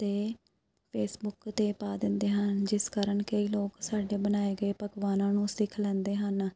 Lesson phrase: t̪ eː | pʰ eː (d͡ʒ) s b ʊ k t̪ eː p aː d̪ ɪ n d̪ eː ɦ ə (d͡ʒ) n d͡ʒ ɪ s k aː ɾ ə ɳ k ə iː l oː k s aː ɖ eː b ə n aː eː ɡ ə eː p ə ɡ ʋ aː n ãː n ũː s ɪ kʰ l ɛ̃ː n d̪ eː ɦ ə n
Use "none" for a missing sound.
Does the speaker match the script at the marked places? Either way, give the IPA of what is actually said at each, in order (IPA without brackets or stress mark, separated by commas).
none, none